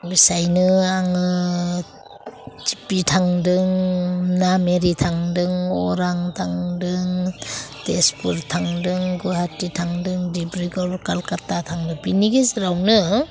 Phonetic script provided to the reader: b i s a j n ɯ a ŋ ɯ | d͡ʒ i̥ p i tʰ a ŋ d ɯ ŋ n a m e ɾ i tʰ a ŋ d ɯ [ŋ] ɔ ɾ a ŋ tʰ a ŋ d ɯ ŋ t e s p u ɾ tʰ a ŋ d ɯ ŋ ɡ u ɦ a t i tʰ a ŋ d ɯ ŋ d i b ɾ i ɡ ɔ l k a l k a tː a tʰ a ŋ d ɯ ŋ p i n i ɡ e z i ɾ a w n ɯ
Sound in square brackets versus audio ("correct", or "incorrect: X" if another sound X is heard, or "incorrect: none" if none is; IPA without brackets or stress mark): correct